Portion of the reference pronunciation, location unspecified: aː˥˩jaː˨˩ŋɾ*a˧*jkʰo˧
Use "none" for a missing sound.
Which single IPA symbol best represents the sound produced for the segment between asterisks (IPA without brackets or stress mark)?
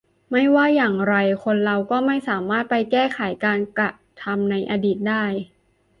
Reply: a˧